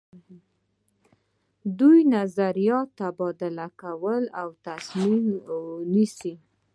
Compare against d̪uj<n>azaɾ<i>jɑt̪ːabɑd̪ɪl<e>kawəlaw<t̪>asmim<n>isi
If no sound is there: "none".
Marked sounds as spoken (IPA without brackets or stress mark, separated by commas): n, i, a, t̪, n